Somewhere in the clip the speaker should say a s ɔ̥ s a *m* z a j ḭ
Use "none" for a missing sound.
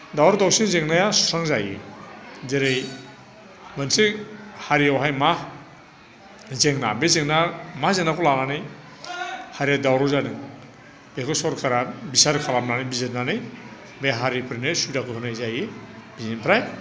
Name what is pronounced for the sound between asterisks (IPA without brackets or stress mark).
ŋ